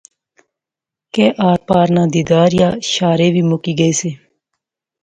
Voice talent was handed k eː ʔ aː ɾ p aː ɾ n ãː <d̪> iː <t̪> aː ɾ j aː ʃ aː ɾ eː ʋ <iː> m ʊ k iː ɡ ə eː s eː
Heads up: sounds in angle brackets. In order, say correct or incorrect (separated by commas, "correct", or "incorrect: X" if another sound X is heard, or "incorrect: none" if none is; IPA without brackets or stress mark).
correct, incorrect: d̪, correct